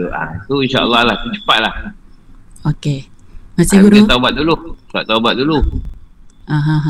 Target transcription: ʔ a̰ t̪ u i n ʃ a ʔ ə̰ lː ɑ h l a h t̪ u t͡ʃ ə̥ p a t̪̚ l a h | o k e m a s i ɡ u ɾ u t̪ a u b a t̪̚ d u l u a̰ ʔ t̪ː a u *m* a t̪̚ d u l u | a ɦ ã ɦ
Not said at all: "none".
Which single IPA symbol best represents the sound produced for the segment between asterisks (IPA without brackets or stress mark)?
b